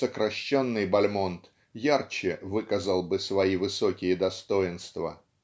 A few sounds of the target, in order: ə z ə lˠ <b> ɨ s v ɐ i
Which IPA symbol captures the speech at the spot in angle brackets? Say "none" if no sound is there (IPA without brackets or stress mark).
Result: b